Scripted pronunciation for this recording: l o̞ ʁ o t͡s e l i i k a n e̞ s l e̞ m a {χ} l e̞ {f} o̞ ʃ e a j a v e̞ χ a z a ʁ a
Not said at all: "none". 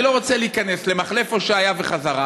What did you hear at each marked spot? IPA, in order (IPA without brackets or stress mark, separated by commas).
χ, f